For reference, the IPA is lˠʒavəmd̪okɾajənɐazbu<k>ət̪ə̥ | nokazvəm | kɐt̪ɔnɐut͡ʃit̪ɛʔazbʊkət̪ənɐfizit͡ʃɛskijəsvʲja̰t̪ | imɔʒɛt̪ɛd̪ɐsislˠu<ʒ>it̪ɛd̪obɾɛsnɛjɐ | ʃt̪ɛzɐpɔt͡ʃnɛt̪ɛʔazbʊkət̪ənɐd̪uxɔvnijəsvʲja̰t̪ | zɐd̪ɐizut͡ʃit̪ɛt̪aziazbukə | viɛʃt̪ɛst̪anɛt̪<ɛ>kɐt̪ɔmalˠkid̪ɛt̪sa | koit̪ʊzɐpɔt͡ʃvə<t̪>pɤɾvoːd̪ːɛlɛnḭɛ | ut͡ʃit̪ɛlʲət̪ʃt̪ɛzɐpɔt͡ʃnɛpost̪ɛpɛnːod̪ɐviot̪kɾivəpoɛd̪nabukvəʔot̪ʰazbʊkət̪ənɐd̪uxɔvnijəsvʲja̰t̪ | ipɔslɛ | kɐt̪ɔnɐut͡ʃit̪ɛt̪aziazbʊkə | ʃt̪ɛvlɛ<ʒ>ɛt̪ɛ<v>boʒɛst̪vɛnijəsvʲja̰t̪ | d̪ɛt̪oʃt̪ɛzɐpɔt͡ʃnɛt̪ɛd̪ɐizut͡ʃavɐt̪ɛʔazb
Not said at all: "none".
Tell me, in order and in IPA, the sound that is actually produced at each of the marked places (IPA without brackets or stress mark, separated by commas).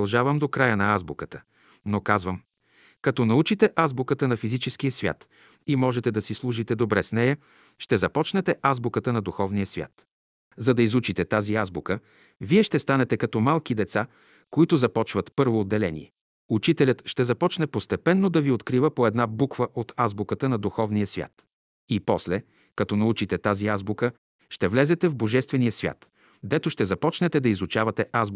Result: k, ʒ, ɛ, t̪, z, v